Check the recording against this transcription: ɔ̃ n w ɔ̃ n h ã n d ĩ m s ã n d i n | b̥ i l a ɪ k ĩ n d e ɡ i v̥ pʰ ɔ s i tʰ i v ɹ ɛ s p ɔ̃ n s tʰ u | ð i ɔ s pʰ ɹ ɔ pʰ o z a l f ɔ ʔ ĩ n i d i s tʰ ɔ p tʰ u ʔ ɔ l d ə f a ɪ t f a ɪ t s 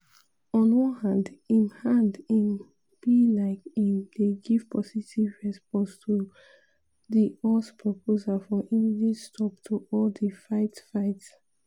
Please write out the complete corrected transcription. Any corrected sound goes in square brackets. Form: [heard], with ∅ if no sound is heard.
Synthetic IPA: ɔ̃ n w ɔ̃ n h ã n d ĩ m [h] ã n d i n | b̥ i l a ɪ k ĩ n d e ɡ i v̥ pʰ ɔ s i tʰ i v ɹ ɛ s p ɔ̃ n s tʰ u | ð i ɔ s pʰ ɹ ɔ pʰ o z a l f ɔ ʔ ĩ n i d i s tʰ ɔ p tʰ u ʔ ɔ l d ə f a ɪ t f a ɪ t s